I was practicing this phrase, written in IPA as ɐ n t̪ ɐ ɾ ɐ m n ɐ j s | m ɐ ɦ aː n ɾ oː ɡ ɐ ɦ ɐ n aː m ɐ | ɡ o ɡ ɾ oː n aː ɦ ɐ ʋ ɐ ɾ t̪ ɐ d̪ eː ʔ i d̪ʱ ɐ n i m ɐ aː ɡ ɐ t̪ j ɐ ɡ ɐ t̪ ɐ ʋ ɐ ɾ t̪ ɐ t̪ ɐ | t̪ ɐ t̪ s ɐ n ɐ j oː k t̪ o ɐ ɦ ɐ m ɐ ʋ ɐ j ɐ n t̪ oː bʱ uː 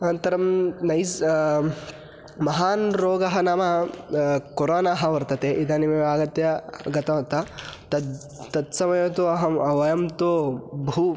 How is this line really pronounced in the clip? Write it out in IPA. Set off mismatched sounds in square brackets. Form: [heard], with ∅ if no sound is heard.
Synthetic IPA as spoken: ɐ n t̪ ɐ ɾ ɐ m n ɐ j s | m ɐ ɦ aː n ɾ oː ɡ ɐ ɦ ɐ n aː m ɐ | [k] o [∅] ɾ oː n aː ɦ ɐ ʋ ɐ ɾ t̪ ɐ [t̪] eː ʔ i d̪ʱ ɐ n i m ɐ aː ɡ ɐ t̪ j ɐ ɡ ɐ t̪ ɐ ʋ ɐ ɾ t̪ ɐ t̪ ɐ | t̪ ɐ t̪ s ɐ [m] ɐ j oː [∅] t̪ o ɐ ɦ ɐ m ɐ ʋ ɐ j ɐ [m] t̪ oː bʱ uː